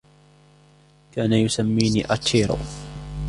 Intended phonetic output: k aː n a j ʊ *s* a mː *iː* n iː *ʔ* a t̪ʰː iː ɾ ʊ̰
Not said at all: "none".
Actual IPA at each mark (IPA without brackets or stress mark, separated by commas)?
s, iː, ʔ